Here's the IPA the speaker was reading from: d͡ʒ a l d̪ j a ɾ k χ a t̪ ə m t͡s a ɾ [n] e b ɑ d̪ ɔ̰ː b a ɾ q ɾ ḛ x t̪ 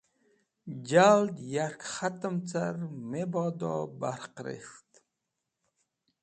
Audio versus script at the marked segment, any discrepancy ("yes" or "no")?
yes